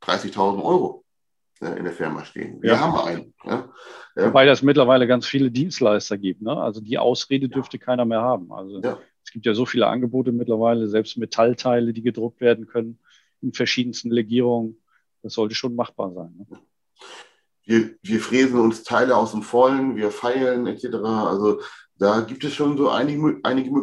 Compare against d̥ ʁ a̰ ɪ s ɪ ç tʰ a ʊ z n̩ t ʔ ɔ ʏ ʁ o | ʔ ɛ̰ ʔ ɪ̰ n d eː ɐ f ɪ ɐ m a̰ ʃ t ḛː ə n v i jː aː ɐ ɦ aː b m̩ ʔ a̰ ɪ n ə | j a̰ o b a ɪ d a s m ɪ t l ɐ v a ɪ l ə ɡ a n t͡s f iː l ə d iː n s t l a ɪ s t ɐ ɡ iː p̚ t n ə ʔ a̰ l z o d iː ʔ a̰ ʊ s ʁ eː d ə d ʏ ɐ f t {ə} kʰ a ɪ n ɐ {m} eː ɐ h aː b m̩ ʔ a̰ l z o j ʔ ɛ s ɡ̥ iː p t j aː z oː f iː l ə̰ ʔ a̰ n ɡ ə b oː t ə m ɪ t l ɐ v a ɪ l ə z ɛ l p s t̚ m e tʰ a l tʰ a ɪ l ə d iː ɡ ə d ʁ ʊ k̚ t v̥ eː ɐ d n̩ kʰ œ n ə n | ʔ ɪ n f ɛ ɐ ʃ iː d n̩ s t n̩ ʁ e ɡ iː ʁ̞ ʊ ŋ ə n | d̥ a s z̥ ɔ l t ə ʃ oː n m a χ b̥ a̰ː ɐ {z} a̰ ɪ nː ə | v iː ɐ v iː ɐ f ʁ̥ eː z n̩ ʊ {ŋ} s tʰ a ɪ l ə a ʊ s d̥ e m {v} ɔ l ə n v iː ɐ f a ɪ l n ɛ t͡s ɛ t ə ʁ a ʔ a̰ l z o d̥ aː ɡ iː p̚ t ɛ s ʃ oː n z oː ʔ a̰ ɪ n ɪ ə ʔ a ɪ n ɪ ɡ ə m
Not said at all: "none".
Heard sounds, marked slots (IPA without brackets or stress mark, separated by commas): ə, m, z, n, f